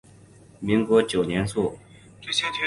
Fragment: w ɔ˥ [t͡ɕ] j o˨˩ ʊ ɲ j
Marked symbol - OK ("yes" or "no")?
yes